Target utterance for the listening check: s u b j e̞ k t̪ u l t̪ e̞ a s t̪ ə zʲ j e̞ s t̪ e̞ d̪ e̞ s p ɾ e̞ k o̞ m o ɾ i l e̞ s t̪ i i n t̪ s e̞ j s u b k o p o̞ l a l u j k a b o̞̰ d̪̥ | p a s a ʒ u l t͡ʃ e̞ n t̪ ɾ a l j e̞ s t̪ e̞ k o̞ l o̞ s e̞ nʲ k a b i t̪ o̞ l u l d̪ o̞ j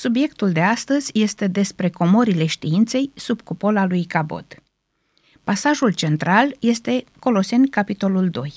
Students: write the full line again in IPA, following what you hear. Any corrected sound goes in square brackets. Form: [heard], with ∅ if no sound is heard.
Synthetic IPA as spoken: s u b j e̞ k t̪ u l [d̪] e̞ a s t̪ ə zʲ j e̞ s t̪ e̞ d̪ e̞ s p ɾ e̞ k o̞ m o ɾ i l e̞ [ʃ] t̪ i i n t̪ s e̞ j s u b k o p o̞ l a l u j k a b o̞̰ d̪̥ | p a s a ʒ u l t͡ʃ e̞ n t̪ ɾ a l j e̞ s t̪ e̞ k o̞ l o̞ s e̞ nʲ k a [p] i t̪ o̞ l u l d̪ o̞ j